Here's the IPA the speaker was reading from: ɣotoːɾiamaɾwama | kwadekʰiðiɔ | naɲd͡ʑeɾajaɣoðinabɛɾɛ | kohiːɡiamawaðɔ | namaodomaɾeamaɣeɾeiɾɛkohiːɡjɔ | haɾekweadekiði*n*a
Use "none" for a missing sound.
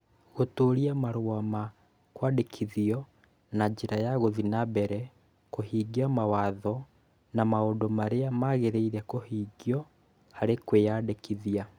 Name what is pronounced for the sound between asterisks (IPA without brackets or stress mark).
none